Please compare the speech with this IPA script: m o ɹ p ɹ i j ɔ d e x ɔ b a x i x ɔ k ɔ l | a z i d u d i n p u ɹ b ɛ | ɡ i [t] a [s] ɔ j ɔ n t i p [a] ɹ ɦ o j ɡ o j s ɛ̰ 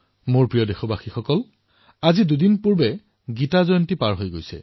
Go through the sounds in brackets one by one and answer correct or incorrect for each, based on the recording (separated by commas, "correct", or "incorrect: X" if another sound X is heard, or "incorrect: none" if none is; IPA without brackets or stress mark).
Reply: correct, incorrect: z, correct